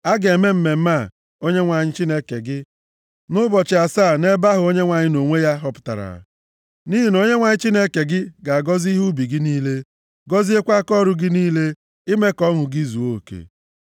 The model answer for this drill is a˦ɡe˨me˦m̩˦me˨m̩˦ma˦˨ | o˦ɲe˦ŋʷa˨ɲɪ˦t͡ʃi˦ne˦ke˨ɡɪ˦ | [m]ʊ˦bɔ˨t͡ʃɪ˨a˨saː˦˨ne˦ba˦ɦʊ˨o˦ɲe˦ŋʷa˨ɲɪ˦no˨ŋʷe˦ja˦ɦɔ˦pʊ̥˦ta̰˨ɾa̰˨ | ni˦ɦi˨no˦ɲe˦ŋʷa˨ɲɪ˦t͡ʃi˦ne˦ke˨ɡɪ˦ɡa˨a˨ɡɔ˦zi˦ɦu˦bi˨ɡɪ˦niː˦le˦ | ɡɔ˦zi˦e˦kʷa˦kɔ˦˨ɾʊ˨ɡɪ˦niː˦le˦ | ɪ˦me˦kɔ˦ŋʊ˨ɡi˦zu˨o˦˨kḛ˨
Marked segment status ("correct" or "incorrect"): incorrect